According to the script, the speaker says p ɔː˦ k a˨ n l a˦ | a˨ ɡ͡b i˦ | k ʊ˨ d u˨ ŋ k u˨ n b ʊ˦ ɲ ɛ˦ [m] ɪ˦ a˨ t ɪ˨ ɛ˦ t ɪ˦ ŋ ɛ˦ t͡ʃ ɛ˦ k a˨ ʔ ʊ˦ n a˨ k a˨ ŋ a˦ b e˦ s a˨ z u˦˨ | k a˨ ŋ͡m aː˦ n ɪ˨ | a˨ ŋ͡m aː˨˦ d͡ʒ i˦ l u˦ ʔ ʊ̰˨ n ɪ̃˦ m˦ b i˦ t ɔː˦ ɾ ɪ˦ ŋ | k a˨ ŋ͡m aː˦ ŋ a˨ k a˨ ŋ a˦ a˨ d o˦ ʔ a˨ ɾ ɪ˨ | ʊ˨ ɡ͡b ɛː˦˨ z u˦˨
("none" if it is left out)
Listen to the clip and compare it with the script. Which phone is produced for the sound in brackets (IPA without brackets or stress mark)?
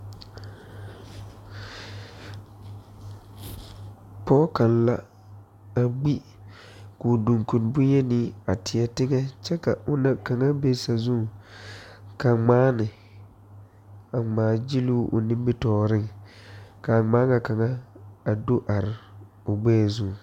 n